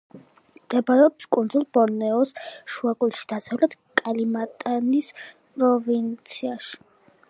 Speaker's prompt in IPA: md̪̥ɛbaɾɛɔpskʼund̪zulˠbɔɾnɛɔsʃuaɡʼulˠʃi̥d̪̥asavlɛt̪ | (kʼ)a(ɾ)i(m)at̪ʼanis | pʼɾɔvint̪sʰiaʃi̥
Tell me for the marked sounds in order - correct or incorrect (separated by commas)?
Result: correct, incorrect, correct